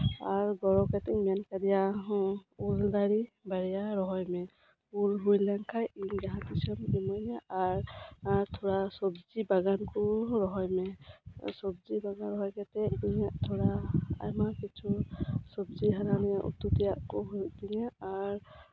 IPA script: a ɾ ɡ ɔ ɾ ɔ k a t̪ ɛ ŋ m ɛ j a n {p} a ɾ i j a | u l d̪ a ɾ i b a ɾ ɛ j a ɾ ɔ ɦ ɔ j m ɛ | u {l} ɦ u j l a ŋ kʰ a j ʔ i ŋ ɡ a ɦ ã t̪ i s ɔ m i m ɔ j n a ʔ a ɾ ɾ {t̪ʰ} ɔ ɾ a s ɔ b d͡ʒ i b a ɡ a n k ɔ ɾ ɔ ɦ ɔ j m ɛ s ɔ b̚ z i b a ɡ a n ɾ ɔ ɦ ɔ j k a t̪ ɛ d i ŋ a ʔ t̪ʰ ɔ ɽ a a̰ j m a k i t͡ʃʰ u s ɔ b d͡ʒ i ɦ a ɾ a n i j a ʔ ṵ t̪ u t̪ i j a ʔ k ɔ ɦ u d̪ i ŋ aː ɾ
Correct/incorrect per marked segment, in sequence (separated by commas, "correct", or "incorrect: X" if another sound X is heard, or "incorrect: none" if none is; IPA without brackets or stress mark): incorrect: k, correct, correct